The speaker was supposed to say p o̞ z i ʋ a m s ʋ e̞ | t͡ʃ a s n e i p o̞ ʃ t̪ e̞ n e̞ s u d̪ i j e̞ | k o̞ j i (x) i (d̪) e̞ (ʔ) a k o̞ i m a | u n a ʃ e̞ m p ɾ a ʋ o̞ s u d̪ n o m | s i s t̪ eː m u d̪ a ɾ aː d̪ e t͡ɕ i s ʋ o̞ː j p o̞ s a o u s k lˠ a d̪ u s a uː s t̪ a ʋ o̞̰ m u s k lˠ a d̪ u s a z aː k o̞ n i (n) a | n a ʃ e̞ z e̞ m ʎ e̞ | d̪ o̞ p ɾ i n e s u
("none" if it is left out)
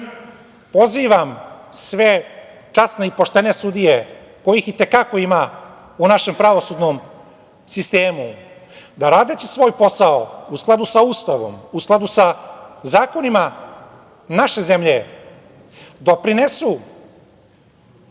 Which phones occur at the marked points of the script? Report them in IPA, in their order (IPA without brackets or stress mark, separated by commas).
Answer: x, t̪, k, m